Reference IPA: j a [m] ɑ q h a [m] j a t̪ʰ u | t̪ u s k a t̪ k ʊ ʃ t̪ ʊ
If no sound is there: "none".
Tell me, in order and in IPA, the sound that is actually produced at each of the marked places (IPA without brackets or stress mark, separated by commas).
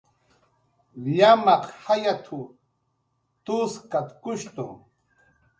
m, none